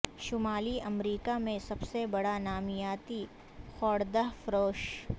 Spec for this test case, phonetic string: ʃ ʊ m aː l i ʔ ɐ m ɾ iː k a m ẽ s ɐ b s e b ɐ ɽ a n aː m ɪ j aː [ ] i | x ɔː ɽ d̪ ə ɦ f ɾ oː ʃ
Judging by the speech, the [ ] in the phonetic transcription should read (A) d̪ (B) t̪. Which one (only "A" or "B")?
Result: B